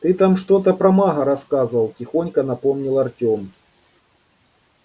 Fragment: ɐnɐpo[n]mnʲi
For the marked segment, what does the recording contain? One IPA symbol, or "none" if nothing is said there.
none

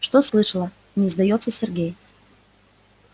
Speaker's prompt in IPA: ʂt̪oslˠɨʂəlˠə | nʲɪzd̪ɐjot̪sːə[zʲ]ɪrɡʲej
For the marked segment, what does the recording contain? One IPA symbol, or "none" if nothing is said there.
sʲ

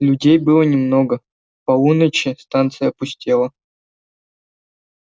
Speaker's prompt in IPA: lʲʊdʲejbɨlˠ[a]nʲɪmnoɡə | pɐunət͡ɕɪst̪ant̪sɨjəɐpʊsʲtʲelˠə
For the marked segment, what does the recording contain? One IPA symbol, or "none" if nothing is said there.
ə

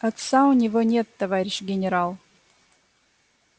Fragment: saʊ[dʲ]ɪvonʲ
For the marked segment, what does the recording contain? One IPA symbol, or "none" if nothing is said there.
nʲ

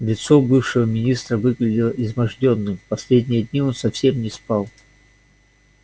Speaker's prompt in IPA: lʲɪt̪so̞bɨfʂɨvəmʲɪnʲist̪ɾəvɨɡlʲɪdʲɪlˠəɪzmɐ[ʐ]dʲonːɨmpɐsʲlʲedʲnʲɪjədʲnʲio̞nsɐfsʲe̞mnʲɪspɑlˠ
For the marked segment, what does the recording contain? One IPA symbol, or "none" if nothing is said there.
ʐ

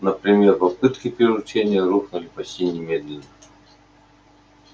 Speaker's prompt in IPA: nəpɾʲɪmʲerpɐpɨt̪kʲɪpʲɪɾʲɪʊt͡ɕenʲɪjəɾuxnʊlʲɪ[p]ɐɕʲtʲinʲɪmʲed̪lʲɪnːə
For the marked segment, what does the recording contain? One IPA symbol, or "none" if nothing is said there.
p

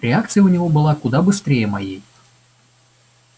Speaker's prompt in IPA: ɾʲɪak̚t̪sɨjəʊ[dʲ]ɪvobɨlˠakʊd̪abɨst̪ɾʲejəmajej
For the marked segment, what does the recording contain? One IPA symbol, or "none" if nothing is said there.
nʲ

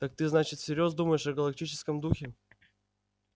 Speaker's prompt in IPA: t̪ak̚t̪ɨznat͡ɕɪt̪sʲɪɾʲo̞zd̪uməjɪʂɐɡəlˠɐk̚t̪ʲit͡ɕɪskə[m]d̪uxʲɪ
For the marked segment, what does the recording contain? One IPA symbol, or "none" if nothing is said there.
m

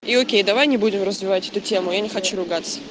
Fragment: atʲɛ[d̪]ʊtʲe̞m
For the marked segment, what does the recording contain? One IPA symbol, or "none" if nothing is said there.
t̪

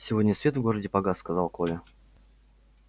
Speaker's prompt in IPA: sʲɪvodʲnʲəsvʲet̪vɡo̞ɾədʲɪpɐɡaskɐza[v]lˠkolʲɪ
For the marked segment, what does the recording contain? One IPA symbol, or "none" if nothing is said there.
none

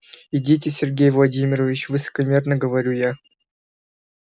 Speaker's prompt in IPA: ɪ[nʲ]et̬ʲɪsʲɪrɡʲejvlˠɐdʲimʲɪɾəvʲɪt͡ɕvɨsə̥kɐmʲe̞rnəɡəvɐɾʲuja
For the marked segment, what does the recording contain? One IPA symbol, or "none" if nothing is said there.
dʲ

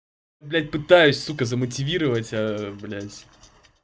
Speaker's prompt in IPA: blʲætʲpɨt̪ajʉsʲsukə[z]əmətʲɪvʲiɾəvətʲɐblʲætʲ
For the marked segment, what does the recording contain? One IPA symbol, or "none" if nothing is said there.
z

